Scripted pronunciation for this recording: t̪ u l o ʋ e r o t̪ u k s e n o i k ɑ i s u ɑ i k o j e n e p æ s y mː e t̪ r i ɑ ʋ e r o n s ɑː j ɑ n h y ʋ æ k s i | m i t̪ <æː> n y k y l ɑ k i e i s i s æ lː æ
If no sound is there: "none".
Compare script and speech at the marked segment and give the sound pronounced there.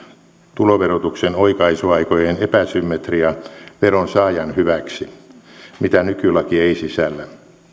æ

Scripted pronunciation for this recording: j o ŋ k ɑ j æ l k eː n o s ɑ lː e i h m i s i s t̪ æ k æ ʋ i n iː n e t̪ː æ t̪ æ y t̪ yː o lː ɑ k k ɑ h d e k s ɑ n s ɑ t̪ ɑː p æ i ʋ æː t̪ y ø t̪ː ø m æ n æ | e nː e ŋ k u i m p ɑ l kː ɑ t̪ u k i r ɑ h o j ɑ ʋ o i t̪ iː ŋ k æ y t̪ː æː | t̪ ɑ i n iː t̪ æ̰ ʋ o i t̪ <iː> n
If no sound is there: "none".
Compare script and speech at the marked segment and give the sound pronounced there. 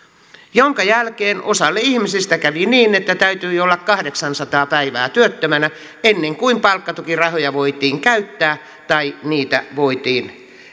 iː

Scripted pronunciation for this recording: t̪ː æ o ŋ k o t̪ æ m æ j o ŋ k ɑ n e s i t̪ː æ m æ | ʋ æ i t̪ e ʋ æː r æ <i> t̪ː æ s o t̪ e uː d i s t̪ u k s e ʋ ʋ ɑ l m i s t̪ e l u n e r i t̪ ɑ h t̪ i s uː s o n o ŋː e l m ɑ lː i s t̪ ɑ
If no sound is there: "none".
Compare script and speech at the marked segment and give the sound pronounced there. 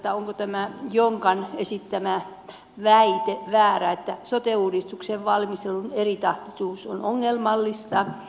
e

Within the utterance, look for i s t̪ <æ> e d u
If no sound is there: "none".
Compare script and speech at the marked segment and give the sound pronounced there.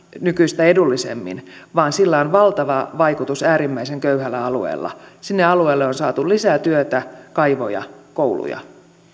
æ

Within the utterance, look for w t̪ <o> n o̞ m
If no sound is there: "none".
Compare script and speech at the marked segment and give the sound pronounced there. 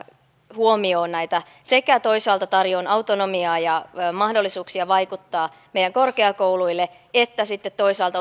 o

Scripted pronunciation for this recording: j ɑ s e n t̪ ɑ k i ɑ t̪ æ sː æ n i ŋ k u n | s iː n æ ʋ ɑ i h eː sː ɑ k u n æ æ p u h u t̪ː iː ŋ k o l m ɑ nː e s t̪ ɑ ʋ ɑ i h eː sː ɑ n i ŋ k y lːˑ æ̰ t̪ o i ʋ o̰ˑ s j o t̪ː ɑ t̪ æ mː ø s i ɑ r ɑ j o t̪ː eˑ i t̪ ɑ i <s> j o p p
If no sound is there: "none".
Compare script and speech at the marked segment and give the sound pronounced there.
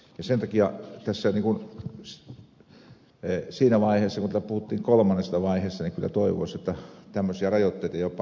none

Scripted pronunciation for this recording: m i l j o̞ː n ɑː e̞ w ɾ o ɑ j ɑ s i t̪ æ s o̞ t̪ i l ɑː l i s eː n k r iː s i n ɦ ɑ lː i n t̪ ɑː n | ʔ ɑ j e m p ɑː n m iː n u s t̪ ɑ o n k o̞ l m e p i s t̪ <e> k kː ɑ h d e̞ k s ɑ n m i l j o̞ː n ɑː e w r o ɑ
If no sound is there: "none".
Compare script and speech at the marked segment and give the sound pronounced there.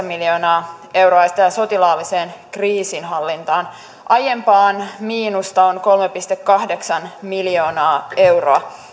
e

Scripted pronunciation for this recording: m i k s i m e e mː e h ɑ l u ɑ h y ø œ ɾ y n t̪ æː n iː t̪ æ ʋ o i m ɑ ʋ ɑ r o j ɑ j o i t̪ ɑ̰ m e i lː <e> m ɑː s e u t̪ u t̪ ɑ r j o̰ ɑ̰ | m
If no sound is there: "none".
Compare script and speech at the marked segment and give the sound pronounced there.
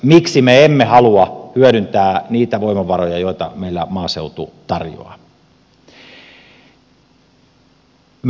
æ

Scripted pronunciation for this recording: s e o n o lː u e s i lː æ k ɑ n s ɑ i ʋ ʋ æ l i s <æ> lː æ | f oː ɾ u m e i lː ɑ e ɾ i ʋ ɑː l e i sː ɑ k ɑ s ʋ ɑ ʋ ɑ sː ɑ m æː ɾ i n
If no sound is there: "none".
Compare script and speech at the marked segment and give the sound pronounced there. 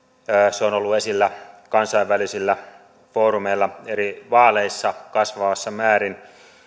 i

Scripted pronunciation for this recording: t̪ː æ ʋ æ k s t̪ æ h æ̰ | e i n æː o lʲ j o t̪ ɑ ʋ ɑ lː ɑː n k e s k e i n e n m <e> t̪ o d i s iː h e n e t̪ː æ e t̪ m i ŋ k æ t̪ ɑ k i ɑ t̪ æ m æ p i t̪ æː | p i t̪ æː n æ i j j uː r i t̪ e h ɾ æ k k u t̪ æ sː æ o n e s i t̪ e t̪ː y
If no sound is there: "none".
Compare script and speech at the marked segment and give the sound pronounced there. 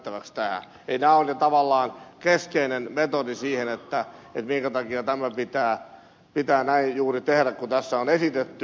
e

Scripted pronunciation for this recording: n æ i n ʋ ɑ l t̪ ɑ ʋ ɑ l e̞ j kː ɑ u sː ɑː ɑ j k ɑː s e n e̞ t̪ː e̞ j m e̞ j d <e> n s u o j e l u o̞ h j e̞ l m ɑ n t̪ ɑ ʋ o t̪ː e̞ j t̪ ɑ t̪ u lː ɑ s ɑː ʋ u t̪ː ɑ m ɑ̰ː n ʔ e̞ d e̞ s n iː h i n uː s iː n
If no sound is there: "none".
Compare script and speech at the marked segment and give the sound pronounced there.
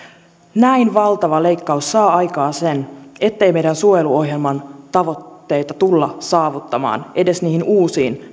æ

